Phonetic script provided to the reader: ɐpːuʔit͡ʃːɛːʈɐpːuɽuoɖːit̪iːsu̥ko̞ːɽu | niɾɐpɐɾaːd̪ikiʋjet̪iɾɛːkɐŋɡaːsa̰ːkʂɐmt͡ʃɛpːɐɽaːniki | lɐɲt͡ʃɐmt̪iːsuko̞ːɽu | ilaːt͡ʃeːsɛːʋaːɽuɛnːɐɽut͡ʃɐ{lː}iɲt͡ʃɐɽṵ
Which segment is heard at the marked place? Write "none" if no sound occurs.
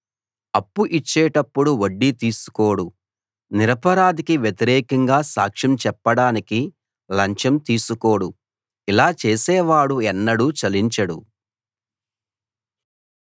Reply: l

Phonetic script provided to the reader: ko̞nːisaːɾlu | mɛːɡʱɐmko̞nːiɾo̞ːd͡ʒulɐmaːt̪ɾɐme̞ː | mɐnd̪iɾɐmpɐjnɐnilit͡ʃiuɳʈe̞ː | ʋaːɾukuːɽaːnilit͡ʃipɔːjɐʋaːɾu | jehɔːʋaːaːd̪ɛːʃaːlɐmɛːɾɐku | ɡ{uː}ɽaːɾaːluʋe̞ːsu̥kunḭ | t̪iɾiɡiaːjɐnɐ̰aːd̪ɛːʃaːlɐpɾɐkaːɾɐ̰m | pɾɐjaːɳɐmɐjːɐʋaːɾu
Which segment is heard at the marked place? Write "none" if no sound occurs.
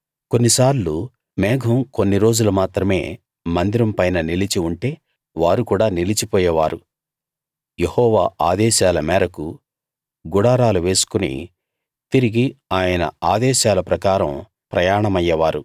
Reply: u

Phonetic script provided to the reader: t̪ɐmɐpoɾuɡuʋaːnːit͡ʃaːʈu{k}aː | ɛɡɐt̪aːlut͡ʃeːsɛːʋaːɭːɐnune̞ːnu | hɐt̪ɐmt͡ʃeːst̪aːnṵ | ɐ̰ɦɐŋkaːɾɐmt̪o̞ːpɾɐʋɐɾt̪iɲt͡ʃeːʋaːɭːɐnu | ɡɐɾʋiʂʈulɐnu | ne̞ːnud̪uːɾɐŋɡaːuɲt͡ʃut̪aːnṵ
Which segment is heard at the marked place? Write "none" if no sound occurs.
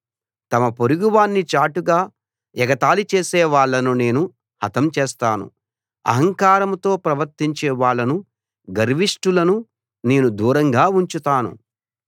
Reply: ɡ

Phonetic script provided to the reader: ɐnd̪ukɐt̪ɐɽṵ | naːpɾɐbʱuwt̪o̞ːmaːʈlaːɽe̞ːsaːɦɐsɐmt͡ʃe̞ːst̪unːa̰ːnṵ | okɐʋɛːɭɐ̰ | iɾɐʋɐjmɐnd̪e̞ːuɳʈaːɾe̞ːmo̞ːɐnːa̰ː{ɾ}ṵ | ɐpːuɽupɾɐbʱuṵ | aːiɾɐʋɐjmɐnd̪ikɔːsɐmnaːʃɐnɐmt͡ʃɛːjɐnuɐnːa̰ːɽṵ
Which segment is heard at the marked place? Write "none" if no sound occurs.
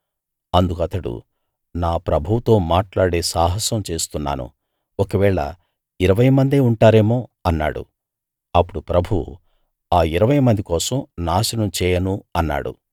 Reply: ɽ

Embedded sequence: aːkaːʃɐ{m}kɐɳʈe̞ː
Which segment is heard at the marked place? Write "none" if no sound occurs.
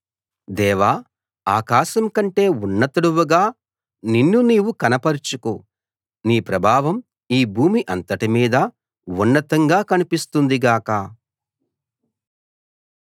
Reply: m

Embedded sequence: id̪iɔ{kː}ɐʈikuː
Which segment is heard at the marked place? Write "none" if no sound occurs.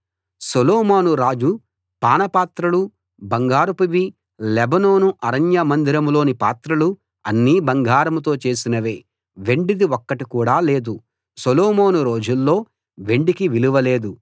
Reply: kː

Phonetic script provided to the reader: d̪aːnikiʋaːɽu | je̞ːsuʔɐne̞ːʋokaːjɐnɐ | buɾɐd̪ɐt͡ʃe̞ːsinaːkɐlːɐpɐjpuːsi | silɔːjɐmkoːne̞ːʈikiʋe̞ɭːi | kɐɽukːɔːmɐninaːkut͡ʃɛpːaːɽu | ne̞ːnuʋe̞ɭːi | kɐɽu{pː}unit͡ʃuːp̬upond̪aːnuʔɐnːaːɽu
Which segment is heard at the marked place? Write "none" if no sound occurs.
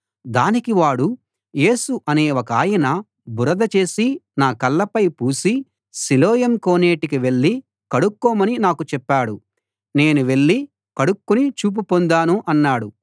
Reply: kː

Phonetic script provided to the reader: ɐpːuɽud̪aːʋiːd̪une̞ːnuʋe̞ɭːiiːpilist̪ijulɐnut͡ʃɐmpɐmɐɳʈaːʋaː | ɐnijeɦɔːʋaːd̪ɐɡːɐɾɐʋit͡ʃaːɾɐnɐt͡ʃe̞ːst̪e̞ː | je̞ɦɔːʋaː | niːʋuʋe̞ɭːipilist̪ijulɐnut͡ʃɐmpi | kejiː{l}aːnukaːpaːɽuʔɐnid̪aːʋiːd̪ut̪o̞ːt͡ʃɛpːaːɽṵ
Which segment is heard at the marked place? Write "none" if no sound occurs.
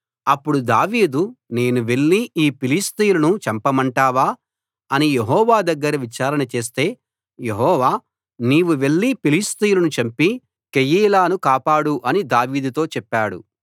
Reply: l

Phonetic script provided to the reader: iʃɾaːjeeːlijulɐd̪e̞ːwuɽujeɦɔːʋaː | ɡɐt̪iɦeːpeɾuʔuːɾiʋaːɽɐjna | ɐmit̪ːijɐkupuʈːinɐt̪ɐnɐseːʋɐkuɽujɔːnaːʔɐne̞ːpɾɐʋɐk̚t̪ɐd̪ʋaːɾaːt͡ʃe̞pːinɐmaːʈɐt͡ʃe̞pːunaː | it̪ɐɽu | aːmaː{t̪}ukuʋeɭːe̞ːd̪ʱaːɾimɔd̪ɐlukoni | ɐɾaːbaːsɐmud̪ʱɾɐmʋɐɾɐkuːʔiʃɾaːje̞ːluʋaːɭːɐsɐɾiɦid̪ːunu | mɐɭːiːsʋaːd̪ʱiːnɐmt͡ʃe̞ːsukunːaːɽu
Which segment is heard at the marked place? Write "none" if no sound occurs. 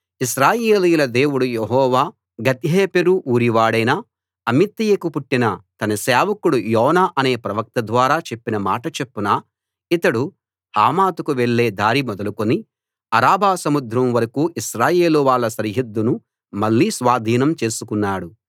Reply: t̪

